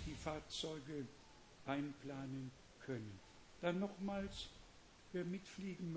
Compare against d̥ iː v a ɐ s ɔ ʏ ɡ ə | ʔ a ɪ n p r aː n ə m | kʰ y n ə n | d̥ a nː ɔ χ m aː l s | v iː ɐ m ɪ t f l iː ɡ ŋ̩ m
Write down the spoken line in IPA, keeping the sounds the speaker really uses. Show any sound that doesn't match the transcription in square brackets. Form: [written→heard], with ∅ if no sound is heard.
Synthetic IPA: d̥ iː [v→f] a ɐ [s→t͡s] ɔ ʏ ɡ ə | ʔ a ɪ n p [r→l] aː n ə [m→n] | kʰ [y→œ] n ə n | d̥ a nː ɔ χ m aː l s | v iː ɐ m ɪ t f l iː ɡ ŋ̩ m